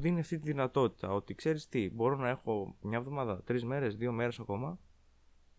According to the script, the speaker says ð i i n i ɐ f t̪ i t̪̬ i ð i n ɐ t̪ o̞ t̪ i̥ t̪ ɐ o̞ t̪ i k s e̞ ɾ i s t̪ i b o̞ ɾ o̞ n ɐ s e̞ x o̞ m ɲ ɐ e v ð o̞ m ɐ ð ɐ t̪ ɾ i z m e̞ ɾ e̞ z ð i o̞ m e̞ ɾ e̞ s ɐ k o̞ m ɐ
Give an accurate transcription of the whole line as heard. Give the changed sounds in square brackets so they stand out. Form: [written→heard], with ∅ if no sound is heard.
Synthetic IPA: ð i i n i ɐ f t̪ i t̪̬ i ð i n ɐ t̪ o̞ t̪ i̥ t̪ ɐ o̞ t̪ i k s e̞ ɾ i s t̪ i b o̞ ɾ o̞ n ɐ [s→∅] e̞ x o̞ m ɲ ɐ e v ð o̞ m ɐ ð ɐ t̪ ɾ i z m e̞ ɾ e̞ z ð i o̞ m e̞ ɾ e̞ s ɐ k o̞ m ɐ